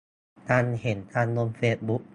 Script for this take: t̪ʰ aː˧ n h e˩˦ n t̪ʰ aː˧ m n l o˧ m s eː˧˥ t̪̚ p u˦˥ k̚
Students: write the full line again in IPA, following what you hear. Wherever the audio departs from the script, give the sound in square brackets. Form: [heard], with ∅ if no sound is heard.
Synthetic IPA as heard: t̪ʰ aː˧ n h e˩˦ n t̪ʰ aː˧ [∅] n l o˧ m [f] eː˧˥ t̪̚ [b] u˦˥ k̚